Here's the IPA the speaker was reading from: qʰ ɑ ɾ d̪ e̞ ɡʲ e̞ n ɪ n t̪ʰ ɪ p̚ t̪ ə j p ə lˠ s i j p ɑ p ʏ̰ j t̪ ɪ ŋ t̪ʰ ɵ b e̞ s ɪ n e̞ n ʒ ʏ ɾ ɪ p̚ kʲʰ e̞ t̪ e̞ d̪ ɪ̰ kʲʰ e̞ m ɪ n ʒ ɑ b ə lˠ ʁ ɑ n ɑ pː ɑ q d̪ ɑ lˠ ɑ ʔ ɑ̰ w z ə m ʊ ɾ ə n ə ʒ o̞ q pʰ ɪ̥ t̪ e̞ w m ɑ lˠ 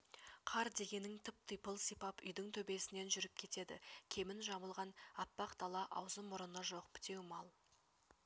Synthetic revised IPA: qʰ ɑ ɾ d̪ e̞ ɡʲ e̞ n ɪ ŋ t̪ʰ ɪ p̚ t̪ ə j p ə lˠ s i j p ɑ p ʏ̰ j d̪ ɪ ŋ t̪ʰ ɵ b e̞ s ɪ n e̞ n ʒ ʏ ɾ ɪ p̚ kʲʰ e̞ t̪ e̞ d̪ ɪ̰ kʲʰ e̞ m ɪ n ʒ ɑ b ə lˠ ʁ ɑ n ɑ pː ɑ q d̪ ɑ lˠ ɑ ʔ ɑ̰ w z ə m ʊ ɾ ə n ə ʒ o̞ q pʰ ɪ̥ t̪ e̞ w m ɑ lˠ